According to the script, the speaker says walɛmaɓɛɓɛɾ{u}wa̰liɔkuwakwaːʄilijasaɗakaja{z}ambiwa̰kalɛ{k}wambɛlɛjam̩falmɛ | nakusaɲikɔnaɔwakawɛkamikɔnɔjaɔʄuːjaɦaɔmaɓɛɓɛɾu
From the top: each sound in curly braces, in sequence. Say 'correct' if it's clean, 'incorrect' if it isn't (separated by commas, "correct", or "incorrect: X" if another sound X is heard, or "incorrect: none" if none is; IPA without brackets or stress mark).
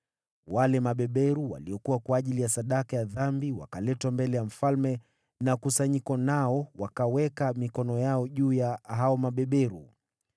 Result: correct, incorrect: ð, incorrect: t